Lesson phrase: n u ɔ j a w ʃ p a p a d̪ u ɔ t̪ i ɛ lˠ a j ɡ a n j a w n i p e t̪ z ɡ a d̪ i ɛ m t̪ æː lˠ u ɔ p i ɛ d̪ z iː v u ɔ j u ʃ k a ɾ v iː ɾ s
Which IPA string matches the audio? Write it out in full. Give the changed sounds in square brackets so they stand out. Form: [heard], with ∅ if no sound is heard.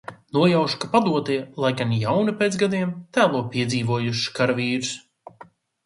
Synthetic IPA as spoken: n u ɔ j a w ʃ [k] a p a d̪ u ɔ t̪ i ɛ lˠ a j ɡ a n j a w n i p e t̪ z ɡ a d̪ i ɛ m t̪ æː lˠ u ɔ p i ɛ d̪ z iː v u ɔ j u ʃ k a ɾ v iː ɾ s